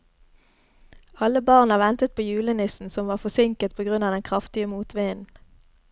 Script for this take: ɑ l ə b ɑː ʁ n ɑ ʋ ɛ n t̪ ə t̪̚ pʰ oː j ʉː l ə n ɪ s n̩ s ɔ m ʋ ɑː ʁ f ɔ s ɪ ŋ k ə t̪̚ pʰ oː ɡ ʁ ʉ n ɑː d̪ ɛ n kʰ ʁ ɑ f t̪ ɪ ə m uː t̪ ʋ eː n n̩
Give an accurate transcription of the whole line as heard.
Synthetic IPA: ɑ l ə b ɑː ʁ n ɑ ʋ ɛ n t̪ ə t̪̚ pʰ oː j ʉː l ə n ɪ s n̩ s ɔ m ʋ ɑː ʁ f ɔ s ɪ ŋ k ə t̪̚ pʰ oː ɡ ʁ ʉ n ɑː d̪ ɛ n kʰ ʁ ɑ f t̪ ɪ ə m uː t̪ ʋ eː n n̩